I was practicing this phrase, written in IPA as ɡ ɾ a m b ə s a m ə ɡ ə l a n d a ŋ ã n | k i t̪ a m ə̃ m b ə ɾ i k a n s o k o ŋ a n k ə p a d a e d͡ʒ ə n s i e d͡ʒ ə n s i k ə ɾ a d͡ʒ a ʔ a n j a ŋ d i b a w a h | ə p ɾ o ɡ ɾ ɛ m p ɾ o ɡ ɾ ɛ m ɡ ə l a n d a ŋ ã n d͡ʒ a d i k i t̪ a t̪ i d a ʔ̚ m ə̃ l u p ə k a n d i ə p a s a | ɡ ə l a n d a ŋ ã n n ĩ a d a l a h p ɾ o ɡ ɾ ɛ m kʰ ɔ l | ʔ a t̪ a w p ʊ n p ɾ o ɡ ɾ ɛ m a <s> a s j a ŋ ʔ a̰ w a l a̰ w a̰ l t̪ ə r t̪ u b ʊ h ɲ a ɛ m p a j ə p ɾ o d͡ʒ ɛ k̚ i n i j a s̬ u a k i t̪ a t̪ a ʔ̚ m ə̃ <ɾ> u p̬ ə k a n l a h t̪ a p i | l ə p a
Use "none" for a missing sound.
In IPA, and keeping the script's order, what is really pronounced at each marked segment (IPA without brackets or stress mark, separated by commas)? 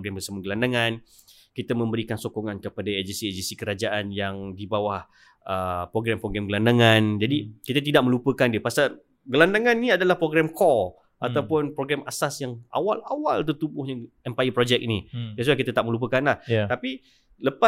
s, l